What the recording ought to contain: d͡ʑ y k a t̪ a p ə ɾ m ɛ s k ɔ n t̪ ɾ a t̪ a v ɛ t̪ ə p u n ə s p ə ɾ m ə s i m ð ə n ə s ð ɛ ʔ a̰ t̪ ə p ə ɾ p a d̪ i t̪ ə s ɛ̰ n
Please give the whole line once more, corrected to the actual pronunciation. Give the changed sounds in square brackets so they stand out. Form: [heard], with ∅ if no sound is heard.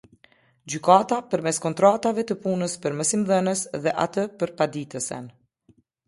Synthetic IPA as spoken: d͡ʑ y k a t̪ a p ə ɾ m ɛ s k ɔ n t̪ ɾ a t̪ a v ɛ t̪ ə p u n ə s p ə ɾ m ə s i m ð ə n ə s ð ɛ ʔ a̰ t̪ ə p ə ɾ p a d̪ i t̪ ə s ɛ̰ n